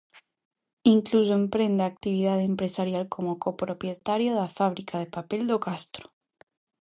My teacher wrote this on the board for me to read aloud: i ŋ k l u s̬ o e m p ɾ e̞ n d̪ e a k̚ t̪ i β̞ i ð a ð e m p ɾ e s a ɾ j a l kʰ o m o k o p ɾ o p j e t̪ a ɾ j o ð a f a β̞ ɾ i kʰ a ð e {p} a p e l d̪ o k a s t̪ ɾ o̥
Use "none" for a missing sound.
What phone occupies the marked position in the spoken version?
p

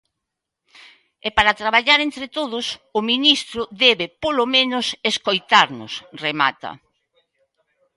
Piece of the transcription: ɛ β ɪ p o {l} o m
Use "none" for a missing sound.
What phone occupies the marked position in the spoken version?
l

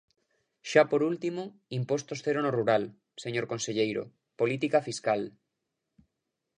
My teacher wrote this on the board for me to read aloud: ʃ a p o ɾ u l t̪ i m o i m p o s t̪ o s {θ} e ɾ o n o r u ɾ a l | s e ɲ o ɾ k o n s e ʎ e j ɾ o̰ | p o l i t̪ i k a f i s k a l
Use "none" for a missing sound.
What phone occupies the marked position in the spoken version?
θ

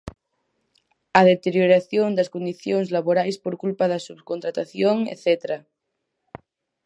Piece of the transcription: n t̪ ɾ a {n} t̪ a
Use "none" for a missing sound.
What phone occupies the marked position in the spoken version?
none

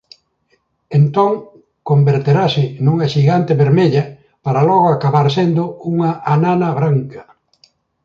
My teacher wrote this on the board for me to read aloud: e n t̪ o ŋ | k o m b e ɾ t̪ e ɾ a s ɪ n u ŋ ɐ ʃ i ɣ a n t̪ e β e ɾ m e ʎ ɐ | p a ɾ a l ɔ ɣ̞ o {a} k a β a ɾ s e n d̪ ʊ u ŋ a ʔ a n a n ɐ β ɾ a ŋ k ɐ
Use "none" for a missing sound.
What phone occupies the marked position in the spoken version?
a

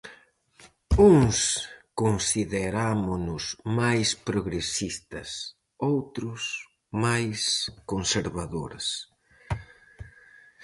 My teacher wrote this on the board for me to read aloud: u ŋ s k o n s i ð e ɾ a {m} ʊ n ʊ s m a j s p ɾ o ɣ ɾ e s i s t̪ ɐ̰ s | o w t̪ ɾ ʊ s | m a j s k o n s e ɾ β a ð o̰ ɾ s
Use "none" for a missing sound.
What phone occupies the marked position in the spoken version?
m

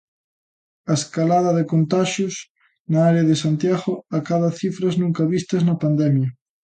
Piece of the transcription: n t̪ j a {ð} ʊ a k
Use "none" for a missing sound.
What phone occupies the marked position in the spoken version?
ɣ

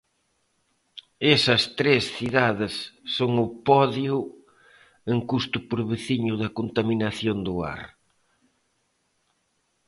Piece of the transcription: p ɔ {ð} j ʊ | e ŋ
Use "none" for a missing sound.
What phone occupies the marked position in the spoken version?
ð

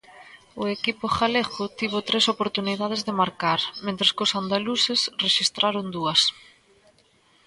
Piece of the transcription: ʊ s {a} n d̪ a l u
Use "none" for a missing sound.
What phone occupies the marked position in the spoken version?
a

